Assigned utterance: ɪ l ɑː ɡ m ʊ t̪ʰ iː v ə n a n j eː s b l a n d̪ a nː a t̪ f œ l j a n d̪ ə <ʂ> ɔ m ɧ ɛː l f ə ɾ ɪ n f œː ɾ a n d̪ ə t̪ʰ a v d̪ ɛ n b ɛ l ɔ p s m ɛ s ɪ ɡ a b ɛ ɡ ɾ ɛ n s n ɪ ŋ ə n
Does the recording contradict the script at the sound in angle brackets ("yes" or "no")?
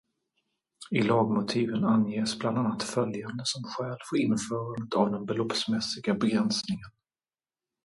yes